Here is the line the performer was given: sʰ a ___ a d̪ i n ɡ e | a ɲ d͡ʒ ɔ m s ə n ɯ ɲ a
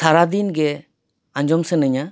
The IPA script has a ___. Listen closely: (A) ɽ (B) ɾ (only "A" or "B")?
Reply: B